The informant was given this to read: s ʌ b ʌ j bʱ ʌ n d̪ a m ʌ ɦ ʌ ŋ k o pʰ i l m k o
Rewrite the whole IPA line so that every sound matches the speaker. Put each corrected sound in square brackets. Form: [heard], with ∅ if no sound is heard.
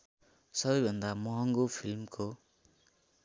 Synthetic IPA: s ʌ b ʌ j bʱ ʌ n d̪ a m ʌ ɦ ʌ ŋ [ɡ] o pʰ i l m k o